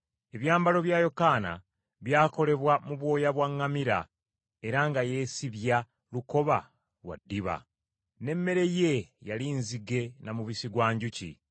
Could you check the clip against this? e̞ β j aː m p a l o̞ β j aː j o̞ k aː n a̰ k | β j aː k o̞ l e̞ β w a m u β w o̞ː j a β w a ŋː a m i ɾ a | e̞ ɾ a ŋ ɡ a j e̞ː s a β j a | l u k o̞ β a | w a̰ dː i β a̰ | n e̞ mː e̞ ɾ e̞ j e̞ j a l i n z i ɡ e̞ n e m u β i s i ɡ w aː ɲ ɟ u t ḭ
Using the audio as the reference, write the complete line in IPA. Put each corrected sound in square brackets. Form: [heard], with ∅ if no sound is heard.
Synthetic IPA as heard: e̞ β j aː m [b] a l o̞ β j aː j o̞ k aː n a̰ [∅] | β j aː k o̞ l e̞ β w a m u β w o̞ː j a β w a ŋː a m i ɾ a | e̞ ɾ a ŋ ɡ a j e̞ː s [i] β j a | l u k o̞ β a | w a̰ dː i β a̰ | n e̞ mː e̞ ɾ e̞ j e̞ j a l i n z i ɡ e̞ n [a] m u β i s i ɡ w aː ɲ ɟ u [c] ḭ

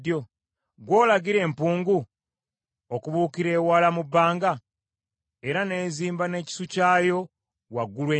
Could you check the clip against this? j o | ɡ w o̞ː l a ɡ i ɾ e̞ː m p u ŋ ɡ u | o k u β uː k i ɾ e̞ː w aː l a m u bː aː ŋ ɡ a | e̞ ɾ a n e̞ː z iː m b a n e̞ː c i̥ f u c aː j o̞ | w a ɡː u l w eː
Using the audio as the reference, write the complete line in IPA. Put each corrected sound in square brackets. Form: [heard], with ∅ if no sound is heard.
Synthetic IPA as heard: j o | ɡ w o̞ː l a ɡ i ɾ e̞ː m p [uː] ŋ ɡ u | o k u β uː k i ɾ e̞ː w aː l a m u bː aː ŋ ɡ a | e̞ ɾ a n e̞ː z iː m b a n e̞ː c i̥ [s] u c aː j o̞ | w a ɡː u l w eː

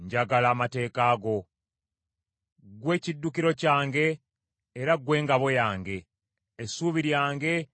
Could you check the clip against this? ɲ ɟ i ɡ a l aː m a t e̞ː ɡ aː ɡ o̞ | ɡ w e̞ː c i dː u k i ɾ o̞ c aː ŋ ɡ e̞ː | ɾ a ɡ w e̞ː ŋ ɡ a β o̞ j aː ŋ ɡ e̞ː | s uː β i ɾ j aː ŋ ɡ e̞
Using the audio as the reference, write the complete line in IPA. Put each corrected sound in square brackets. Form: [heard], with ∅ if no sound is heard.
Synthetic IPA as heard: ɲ ɟ [a] ɡ a l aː m a t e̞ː [k] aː ɡ o̞ | ɡ w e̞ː c i dː u k i ɾ o̞ c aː ŋ ɡ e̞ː | ɾ a ɡ w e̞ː ŋ ɡ a β o̞ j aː ŋ ɡ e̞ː | s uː β i ɾ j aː ŋ ɡ e̞

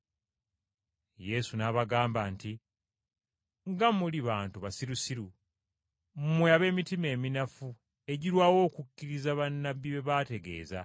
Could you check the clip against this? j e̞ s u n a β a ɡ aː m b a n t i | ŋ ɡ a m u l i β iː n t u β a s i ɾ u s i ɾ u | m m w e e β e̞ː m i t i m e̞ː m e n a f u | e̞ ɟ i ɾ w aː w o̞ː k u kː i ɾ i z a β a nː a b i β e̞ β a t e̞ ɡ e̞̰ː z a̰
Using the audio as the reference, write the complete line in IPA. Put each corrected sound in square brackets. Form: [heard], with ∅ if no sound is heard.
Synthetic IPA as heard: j e̞ s u n a β a ɡ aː m b a n t i | ŋ ɡ a m u l i β [aː] n t u β a s i ɾ u s i ɾ u | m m w e [a] β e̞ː m i t i m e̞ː m [i] n a f u | e̞ ɟ i ɾ w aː w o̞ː k u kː i ɾ i z a β a nː a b i β e̞ β a t e̞ ɡ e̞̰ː z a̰

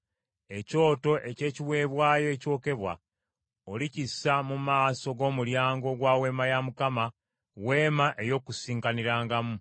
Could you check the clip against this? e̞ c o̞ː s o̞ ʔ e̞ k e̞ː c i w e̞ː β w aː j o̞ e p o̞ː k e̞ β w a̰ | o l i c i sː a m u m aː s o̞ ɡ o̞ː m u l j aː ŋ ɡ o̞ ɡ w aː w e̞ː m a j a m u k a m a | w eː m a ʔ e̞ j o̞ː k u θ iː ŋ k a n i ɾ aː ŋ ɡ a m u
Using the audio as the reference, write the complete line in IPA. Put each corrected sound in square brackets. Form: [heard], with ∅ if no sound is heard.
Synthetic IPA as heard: e̞ c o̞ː [t] o̞ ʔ e̞ [c] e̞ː c i w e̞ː β w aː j o̞ e [c] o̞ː k e̞ β w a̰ | o l i c i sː a m u m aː s o̞ ɡ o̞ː m u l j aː ŋ ɡ o̞ ɡ w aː w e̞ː m a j a m u k a m a | w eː m a ʔ e̞ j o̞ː k u [s] iː ŋ k a n i ɾ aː ŋ ɡ a m u

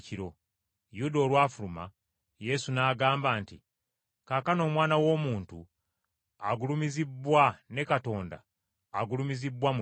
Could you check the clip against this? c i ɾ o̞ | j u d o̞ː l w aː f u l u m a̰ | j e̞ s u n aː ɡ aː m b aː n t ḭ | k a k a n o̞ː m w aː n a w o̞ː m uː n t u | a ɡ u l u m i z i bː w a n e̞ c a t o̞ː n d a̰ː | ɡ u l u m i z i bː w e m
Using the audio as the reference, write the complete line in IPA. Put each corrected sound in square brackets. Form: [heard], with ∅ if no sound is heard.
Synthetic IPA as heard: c i ɾ o̞ | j u d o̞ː l w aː f u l u m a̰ | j e̞ s u n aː ɡ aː m b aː n t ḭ | k a k a n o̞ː m w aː n a w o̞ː m uː n t u | a ɡ u l u m i z i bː w a n e̞ [k] a t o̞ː n d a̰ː | ɡ u l u m i z i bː w [a] m

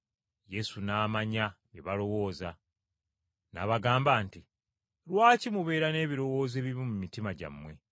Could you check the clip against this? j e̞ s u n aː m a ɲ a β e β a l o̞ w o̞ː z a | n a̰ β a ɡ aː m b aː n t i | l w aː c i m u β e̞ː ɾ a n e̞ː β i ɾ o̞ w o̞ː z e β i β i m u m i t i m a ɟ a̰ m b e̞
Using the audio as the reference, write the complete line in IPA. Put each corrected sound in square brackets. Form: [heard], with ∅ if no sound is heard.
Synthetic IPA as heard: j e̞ s u n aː m a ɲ a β e β a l o̞ w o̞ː z a | n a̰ β a ɡ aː m b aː n t i | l w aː c i m u β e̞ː ɾ a n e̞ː β i ɾ o̞ w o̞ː z e β i β i m u m i t i m a ɟ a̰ m [w] e̞

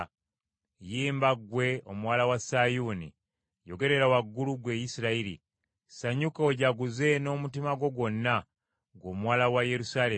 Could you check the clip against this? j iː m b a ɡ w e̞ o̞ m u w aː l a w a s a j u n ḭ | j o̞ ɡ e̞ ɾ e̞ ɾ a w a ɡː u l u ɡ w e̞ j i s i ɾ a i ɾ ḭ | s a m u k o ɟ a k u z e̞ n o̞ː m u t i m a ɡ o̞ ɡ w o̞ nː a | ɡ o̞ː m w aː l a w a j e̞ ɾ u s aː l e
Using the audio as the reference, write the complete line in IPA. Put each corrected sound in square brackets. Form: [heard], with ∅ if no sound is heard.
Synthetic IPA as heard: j iː m b a ɡ w e̞ o̞ m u w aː l a w a s a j u n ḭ | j o̞ ɡ e̞ ɾ e̞ ɾ a w a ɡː u l u ɡ w e̞ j i s i ɾ a i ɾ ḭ | s a [ɲ] u k o ɟ a [ɡ] u z e̞ n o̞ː m u t i m a ɡ o̞ ɡ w o̞ nː a | ɡ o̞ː m w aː l a w a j e̞ ɾ u s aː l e

